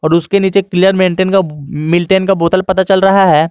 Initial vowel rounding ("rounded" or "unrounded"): rounded